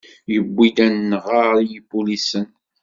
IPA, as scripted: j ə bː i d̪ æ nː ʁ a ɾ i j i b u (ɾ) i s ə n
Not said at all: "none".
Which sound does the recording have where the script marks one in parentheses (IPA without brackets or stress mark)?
l